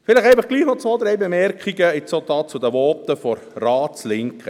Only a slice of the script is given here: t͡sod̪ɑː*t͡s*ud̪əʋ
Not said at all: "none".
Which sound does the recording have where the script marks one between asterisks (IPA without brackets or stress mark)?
t͡s